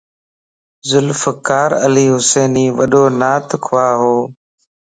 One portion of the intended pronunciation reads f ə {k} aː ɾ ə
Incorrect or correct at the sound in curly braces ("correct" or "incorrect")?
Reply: correct